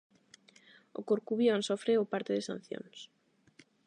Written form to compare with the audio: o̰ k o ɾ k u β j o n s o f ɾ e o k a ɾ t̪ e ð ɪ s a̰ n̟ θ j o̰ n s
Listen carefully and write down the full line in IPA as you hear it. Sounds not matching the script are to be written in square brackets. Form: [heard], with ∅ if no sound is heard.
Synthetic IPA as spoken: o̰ k o ɾ k u β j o n s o f ɾ e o [p] a ɾ t̪ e ð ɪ s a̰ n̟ θ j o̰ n s